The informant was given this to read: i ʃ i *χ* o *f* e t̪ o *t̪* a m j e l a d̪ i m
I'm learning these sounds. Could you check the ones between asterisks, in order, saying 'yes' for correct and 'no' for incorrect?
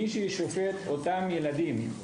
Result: no, yes, yes

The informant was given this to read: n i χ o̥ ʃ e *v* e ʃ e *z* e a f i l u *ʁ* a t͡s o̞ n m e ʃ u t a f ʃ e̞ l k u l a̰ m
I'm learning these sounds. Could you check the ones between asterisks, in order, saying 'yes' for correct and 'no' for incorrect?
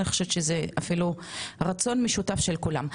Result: yes, yes, yes

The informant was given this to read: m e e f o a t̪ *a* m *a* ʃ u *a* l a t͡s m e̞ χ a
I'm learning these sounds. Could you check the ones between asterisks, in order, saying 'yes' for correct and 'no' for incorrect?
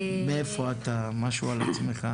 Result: yes, yes, yes

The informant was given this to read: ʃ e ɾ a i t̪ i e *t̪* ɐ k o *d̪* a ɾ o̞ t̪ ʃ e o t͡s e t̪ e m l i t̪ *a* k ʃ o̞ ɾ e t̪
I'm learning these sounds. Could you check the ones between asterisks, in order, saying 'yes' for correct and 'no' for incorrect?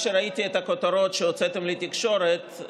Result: yes, no, no

